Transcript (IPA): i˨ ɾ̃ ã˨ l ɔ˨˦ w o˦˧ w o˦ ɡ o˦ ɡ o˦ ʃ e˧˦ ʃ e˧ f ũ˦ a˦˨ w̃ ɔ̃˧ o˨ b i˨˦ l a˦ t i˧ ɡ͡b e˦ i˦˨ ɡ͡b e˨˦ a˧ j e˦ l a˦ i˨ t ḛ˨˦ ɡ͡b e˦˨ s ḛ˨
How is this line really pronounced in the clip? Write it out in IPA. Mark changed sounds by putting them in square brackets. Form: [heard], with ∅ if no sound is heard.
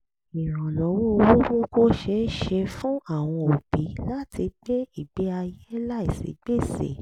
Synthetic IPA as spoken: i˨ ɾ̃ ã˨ l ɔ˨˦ w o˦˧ w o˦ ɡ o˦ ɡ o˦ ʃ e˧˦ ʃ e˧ f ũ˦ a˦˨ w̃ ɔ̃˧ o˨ b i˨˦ l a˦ t i˧ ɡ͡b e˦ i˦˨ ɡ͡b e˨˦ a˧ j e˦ l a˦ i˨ [s] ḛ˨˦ ɡ͡b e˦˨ s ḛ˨